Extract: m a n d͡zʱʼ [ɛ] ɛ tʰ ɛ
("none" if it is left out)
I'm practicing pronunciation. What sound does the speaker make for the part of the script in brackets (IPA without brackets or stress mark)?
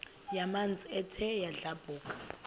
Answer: i